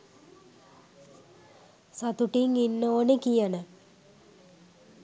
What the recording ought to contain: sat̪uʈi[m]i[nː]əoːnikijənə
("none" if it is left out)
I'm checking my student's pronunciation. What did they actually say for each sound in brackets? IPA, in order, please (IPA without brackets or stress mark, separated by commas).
ŋ, nː